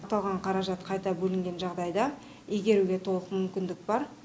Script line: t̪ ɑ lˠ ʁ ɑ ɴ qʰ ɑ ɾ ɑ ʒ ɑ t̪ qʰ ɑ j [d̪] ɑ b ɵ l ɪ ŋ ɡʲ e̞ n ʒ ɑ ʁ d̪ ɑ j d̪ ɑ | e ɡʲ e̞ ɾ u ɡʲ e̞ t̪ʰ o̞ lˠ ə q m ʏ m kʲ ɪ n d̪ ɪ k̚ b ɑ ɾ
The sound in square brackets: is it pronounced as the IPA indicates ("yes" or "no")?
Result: no